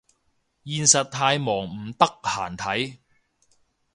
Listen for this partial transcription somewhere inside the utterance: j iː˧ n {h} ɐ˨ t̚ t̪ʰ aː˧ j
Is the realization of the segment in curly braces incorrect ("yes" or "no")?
yes